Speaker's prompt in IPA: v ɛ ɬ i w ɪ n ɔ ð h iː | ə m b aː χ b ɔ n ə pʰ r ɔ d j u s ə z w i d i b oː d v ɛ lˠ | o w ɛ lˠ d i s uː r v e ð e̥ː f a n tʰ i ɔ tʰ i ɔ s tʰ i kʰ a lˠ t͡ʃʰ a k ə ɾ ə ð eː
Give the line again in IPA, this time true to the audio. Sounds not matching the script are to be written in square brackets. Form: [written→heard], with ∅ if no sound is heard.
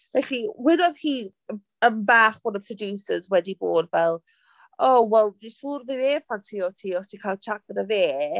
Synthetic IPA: v ɛ ɬ i w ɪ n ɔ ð h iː | ə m b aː χ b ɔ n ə pʰ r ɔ d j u s ə z w [i→ɛ] d i b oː d v ɛ lˠ | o w ɛ lˠ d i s uː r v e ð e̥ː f a n tʰ i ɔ tʰ i ɔ s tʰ i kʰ a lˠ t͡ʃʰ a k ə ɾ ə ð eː